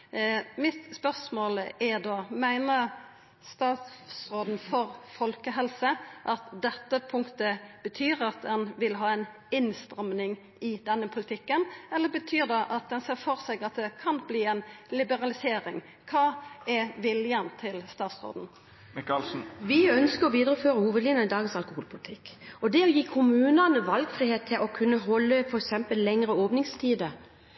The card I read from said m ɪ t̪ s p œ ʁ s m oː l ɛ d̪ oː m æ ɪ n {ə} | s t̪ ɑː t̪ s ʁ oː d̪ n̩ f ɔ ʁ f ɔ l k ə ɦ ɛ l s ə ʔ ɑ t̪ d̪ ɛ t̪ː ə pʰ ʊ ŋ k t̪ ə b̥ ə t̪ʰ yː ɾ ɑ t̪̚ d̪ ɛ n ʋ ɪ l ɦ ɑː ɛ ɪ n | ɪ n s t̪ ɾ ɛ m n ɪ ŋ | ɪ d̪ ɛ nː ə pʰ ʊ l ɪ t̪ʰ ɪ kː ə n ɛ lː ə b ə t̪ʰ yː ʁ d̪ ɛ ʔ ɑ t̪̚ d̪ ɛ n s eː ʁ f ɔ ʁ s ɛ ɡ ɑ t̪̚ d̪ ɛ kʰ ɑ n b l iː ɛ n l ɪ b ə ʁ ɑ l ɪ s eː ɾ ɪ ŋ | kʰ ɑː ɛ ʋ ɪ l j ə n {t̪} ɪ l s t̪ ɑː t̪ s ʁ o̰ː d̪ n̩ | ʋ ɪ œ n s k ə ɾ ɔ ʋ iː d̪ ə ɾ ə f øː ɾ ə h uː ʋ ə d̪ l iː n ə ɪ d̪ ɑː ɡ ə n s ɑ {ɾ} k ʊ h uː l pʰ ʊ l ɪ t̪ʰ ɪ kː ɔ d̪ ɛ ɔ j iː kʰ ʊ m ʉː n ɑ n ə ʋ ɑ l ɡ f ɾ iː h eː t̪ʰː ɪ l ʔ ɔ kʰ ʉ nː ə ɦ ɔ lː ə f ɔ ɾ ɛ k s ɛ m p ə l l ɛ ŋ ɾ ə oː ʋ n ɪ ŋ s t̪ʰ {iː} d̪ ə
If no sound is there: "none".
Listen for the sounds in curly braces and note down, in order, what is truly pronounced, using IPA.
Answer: ə, t̪ʰ, l, iː

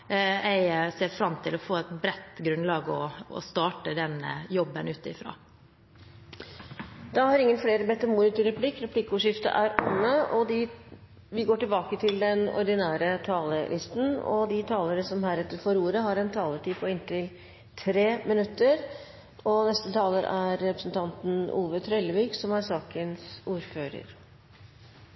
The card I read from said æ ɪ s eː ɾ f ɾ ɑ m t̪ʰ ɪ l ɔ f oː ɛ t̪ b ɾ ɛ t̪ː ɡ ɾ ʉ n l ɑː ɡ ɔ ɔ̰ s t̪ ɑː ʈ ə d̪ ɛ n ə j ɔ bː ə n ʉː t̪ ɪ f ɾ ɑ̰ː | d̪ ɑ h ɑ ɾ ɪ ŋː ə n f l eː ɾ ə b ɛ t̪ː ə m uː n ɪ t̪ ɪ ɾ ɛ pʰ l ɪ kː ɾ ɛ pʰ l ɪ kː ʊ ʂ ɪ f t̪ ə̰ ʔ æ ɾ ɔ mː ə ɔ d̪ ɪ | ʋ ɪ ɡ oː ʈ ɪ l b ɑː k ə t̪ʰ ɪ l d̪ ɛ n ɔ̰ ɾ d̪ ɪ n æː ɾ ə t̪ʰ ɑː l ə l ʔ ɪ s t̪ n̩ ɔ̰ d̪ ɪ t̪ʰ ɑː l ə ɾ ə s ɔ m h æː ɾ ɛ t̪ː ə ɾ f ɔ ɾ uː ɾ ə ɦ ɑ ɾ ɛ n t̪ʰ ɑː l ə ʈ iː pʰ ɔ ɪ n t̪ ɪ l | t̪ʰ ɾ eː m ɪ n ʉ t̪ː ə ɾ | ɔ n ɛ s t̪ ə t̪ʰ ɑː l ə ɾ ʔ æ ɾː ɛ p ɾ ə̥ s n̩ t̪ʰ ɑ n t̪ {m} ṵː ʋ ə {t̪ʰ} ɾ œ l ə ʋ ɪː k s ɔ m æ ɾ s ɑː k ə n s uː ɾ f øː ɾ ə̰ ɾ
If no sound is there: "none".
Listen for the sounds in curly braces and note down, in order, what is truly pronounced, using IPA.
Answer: n, t̪ʰ

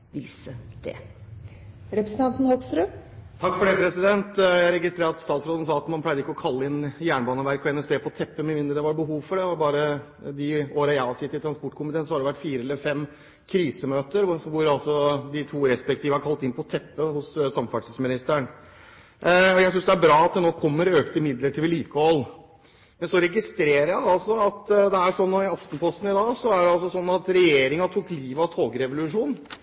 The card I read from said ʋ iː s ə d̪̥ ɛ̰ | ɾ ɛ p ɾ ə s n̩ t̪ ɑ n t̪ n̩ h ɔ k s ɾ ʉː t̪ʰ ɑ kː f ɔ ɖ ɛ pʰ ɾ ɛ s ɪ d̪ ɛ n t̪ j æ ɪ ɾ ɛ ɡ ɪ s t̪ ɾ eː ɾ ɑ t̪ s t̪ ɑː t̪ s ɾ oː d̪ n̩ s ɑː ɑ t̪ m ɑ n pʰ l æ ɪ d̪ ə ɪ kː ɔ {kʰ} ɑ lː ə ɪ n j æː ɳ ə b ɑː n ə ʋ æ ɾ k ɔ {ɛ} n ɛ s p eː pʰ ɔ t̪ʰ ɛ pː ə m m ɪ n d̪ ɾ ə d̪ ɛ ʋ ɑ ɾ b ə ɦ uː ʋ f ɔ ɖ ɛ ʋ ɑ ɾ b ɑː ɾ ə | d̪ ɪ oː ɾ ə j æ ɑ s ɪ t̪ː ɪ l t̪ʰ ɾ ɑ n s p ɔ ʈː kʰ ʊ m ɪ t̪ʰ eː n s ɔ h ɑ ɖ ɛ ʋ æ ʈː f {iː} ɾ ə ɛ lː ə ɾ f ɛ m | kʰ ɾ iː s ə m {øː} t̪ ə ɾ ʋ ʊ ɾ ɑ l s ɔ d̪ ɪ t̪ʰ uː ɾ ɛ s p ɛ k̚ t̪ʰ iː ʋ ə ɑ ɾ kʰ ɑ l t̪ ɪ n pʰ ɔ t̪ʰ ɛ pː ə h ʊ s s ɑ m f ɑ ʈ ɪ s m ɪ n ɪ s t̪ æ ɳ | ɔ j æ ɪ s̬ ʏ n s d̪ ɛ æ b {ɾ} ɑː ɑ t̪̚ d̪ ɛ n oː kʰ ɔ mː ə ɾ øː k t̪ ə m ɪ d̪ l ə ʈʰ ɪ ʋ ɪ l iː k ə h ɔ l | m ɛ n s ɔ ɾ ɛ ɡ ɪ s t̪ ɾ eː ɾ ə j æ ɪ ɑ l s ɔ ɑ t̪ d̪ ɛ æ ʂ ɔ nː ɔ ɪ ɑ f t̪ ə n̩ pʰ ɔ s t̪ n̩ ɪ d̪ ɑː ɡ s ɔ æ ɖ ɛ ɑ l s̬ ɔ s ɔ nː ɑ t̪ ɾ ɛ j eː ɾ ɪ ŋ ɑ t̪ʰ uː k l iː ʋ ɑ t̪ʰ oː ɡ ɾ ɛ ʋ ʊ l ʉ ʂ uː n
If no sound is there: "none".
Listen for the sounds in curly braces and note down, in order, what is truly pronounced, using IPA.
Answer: kʰ, ɛ, iː, øː, ɾ

